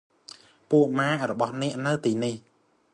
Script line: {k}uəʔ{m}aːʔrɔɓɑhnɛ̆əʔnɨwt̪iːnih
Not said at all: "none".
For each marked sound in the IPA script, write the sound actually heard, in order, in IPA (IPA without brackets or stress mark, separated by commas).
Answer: p, m